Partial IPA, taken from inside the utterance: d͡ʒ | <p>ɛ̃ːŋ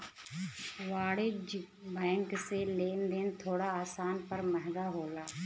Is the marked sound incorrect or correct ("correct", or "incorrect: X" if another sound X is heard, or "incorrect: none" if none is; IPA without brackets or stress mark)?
incorrect: b